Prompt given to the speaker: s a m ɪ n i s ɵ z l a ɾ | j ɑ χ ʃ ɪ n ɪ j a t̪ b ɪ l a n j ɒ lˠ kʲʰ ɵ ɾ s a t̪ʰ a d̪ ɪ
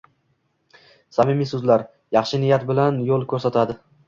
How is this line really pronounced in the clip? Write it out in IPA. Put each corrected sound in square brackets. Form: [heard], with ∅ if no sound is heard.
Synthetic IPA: s a m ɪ [m] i s ɵ z l a ɾ | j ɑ χ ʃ ɪ n ɪ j a t̪ b ɪ l a n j [o] lˠ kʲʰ ɵ ɾ s a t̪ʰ a d̪ ɪ